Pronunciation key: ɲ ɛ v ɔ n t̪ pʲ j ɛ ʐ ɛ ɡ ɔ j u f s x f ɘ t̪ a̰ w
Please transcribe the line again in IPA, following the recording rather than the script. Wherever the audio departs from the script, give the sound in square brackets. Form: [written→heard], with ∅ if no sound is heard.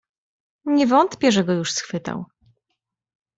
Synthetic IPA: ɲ ɛ v ɔ n t̪ pʲ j ɛ ʐ ɛ ɡ ɔ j u [f→ʂ] s x f ɘ t̪ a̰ w